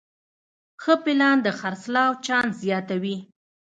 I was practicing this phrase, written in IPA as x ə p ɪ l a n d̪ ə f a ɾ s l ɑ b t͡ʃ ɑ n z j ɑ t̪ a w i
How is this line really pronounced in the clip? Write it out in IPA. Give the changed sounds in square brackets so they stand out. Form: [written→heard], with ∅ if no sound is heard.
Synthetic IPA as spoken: x ə p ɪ l [a→ɑ] n d̪ ə [f→x] a ɾ s l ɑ [b→w] t͡ʃ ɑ n z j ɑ t̪ a w i